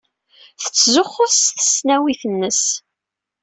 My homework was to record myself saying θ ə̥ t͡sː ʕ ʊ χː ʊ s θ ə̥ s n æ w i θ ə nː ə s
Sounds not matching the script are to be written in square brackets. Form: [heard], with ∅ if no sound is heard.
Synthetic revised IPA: θ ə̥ t͡sː [z] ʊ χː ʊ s θ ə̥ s n æ w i θ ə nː ə s